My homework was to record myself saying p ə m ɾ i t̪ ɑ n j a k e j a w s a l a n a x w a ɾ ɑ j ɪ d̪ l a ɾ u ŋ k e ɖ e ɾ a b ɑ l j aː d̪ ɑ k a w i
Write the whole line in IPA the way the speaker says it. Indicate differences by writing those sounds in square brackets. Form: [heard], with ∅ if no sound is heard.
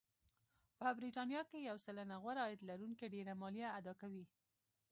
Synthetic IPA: p ə [b] ɾ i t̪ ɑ n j [ɑ] k e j a w s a l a n a [ɣ] w a ɾ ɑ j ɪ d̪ l a ɾ u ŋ k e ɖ e ɾ a [m] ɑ l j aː d̪ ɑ k a w i